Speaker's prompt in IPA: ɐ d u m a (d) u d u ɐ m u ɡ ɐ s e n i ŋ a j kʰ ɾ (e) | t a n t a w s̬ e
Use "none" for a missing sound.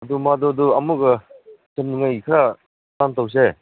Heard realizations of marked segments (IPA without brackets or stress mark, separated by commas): d, a